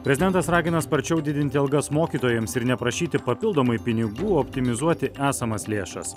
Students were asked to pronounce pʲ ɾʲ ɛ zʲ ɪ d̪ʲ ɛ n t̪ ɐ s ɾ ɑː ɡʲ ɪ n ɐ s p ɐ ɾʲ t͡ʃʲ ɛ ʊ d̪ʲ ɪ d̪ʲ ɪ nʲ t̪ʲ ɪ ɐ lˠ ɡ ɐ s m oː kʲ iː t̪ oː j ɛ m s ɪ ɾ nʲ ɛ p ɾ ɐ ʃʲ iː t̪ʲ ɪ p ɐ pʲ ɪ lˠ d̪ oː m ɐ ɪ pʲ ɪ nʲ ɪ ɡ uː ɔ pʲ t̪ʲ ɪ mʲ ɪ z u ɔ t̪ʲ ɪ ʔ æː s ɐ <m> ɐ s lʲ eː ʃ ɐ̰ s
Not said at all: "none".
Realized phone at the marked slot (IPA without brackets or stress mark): m